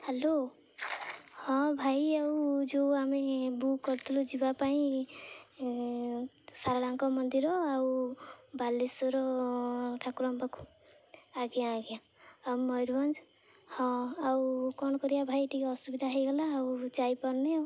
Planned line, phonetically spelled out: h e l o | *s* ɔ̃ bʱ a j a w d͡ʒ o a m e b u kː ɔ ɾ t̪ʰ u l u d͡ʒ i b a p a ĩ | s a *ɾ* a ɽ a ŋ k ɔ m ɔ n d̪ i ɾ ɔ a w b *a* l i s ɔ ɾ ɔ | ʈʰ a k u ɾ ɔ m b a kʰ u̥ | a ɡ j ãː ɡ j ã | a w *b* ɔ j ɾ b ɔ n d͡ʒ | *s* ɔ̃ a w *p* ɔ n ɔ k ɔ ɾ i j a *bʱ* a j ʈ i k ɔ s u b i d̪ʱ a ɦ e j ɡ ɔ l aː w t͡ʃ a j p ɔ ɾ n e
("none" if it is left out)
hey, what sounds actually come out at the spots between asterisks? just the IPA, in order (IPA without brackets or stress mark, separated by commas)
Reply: h, ɾ, a, m, h, k, bʱ